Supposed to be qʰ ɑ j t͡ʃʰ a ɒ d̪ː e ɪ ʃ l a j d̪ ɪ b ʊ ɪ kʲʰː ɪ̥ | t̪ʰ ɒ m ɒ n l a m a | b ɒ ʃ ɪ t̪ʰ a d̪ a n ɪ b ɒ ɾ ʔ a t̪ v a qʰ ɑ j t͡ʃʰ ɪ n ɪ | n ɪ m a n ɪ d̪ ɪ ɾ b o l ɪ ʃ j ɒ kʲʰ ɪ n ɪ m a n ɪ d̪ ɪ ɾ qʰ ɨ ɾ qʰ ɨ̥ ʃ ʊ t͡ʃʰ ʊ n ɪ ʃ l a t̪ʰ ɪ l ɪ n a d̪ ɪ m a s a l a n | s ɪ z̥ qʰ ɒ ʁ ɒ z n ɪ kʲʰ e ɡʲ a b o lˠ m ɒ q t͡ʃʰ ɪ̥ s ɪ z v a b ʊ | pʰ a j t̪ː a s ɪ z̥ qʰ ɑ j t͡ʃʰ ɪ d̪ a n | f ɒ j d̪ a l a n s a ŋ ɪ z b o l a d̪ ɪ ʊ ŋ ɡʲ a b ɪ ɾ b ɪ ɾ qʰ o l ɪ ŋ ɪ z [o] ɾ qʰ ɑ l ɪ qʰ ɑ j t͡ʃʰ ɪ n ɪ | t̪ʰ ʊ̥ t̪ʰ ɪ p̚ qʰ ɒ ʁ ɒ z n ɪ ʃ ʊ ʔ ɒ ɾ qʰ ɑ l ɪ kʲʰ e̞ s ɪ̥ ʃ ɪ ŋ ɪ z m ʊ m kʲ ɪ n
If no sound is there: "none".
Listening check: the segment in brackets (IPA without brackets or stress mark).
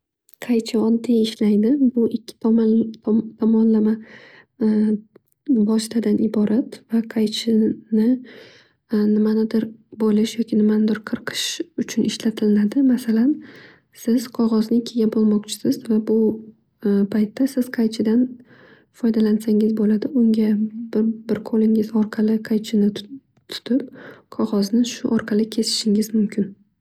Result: ɒ